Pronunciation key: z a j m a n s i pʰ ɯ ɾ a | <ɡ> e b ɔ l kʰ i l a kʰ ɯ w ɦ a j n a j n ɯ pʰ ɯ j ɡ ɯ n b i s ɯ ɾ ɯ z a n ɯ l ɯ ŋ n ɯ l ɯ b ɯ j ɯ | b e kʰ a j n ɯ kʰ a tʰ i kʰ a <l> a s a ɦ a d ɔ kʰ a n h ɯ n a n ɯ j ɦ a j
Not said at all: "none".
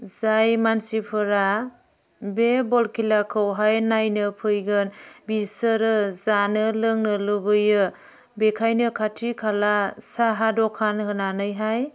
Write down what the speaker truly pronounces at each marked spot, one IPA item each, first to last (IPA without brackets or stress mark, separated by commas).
b, l